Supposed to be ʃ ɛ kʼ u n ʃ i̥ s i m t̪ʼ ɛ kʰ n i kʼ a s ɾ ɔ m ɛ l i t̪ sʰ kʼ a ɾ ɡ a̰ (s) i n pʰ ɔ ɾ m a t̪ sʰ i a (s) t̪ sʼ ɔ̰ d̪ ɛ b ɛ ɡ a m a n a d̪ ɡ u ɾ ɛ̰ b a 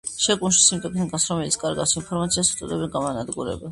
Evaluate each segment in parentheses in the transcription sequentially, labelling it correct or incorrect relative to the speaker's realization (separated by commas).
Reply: correct, correct